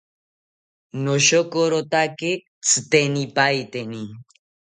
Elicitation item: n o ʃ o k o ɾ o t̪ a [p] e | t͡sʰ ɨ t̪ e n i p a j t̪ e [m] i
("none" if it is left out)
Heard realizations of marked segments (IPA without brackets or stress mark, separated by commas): k, n